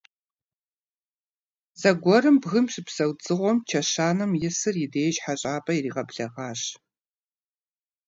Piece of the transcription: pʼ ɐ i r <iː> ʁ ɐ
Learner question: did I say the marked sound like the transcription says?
yes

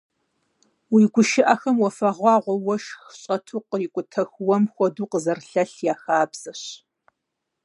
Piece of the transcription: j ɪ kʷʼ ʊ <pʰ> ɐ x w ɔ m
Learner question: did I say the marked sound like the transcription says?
no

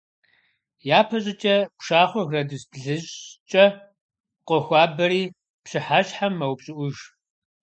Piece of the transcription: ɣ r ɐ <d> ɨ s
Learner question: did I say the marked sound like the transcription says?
yes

